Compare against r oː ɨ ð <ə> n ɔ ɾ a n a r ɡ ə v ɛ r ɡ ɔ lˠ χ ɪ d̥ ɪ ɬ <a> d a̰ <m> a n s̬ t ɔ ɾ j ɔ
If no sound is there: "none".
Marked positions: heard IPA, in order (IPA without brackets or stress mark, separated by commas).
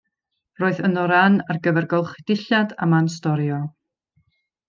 ə, a, m